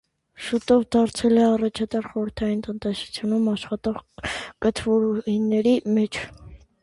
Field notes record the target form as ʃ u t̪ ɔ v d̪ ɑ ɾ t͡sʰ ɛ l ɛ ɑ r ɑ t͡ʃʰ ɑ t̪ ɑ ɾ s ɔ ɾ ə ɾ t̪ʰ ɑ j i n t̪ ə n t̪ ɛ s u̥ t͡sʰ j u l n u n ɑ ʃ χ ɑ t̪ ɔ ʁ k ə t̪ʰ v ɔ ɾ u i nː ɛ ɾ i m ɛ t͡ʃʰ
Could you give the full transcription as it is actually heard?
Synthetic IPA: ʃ u t̪ ɔ v d̪ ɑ ɾ t͡sʰ ɛ l ɛ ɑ r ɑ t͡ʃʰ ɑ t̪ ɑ ɾ χ ɔ ɾ ə ɾ t̪ʰ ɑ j i n t̪ ə n t̪ ɛ s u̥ t͡sʰ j u n u m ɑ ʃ χ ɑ t̪ ɔ ʁ k ə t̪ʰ v ɔ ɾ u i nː ɛ ɾ i m ɛ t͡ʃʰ